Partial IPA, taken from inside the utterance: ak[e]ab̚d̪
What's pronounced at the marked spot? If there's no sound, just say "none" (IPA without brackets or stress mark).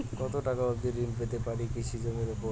a